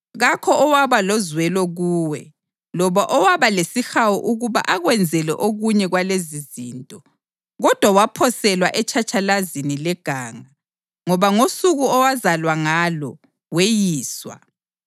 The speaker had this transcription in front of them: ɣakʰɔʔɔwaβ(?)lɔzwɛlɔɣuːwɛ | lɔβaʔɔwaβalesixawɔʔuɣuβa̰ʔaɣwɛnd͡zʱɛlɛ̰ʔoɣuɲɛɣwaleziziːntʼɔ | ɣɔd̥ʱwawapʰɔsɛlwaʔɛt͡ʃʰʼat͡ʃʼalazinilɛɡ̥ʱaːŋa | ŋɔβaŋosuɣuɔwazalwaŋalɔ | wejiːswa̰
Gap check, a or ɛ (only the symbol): a